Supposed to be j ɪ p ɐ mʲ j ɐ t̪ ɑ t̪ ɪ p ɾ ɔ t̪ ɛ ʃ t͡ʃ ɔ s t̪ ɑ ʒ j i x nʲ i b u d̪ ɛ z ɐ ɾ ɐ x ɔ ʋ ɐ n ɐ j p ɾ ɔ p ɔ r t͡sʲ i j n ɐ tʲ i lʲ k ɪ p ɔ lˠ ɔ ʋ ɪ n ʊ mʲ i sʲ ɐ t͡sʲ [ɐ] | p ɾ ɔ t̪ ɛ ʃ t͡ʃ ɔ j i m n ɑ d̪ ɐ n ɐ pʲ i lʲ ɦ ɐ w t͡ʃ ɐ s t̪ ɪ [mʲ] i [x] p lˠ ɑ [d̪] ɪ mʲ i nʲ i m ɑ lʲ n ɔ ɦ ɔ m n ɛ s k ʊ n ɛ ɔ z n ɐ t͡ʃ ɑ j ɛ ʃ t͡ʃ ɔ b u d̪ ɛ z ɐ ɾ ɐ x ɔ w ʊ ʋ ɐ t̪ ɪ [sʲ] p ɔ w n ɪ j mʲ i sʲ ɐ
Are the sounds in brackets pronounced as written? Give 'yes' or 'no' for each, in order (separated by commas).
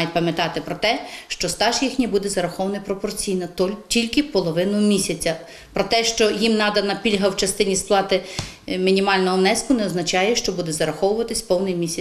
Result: yes, no, no, no, yes